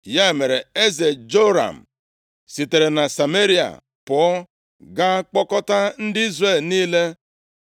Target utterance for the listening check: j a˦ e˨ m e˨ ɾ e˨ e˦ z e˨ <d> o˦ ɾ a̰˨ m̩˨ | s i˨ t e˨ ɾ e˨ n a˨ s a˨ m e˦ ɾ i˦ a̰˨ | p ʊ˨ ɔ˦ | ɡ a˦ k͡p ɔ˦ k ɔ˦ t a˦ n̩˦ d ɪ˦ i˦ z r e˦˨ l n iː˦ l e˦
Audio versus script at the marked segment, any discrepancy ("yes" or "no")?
yes